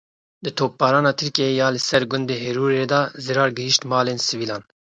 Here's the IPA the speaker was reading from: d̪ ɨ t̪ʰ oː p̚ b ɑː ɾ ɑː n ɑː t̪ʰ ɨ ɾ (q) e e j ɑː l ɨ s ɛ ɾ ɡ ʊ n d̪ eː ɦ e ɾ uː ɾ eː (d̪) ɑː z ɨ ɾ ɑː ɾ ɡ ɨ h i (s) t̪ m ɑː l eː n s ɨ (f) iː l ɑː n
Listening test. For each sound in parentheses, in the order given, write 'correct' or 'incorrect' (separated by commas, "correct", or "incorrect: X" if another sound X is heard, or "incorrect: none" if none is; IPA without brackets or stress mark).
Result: incorrect: k, correct, incorrect: ʃ, incorrect: v